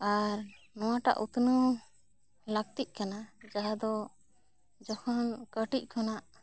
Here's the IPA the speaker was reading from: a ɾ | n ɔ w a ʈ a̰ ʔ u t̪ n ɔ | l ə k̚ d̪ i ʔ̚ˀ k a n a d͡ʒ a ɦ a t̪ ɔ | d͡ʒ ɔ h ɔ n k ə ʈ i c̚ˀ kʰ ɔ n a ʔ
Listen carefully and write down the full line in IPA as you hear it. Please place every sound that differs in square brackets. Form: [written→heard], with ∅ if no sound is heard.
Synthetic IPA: a ɾ | n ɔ w a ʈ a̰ ʔ u t̪ n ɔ | l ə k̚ [d̪→t̪] i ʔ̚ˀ k a n a d͡ʒ a ɦ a [t̪→d̪] ɔ | d͡ʒ ɔ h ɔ n k ə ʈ i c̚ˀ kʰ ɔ n a ʔ